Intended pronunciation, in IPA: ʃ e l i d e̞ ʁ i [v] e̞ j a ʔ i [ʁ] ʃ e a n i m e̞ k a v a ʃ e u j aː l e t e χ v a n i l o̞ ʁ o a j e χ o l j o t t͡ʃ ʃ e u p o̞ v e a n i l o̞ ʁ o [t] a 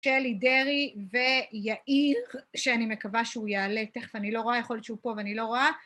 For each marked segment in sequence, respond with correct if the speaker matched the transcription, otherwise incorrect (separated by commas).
correct, correct, incorrect